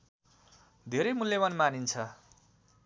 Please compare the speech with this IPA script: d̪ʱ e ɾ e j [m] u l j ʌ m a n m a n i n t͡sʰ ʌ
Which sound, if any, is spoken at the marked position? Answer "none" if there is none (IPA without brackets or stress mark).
m